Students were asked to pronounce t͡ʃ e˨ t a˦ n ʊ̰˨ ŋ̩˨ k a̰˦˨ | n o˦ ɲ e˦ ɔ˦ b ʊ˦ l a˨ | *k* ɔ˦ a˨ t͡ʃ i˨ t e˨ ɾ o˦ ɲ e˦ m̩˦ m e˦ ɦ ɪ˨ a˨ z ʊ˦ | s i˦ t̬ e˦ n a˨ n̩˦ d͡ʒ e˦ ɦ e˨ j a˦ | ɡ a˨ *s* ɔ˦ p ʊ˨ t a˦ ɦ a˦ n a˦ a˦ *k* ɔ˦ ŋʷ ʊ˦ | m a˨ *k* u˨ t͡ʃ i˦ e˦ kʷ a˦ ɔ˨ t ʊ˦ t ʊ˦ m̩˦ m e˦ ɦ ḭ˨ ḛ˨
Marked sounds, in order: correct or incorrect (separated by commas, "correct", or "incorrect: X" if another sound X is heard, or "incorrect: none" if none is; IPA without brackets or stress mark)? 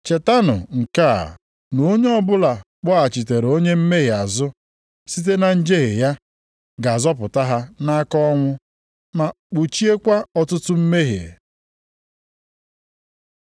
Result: incorrect: k͡p, incorrect: z, correct, incorrect: k͡p